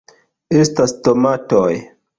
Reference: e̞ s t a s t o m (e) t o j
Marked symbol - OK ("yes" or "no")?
no